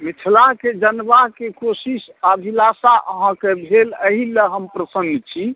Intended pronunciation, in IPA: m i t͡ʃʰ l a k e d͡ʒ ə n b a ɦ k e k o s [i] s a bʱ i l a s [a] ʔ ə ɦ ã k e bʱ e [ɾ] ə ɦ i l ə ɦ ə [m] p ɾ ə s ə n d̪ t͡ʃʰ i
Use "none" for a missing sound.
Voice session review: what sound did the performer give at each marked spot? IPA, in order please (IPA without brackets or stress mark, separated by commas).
i, a, l, m